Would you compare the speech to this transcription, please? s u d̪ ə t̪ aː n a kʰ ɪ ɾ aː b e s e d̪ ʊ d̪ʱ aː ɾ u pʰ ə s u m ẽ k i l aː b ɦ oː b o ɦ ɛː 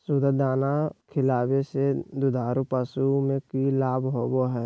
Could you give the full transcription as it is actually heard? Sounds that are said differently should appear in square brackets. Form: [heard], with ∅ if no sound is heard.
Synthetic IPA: s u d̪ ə [d̪] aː n a kʰ ɪ [l] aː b e s e d̪ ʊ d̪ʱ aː ɾ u [p] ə s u m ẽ k i l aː b ɦ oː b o ɦ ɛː